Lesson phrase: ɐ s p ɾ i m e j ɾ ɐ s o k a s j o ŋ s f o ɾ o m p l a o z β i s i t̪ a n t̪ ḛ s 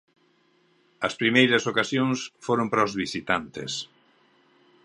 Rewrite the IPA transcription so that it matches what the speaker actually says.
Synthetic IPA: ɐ s p ɾ i m e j ɾ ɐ s o k a s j o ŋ s f o ɾ o m p ɾ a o z β i s i t̪ a n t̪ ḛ s